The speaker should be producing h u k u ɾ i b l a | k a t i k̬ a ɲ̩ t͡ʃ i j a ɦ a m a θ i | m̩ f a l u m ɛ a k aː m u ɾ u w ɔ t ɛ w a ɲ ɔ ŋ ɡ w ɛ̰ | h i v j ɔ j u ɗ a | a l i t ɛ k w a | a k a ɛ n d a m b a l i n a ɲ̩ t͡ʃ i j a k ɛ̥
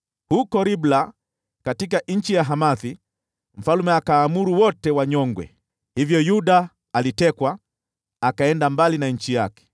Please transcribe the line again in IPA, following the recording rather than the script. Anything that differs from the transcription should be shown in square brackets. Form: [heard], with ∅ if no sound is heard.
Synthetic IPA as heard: h u k [ɔ] ɾ i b l a | k a t i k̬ a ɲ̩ t͡ʃ i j a ɦ a m a θ i | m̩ f a l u m ɛ a k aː m u ɾ u w ɔ t ɛ w a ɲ ɔ ŋ ɡ w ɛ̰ | h i v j ɔ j u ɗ a | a l i t ɛ k w a | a k a ɛ n d a m b a l i n a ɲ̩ t͡ʃ i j a k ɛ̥